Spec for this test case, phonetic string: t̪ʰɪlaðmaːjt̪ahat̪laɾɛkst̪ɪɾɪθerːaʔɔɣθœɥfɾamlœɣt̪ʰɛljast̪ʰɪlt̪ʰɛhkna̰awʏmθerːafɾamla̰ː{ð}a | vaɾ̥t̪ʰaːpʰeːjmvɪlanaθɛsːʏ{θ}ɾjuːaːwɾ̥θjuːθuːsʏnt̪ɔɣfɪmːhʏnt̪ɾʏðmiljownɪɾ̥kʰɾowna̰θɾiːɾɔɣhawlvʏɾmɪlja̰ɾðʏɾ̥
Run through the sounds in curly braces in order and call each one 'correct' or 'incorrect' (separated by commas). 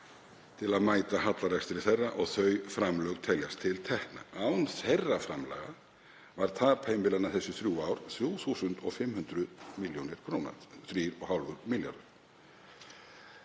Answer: incorrect, correct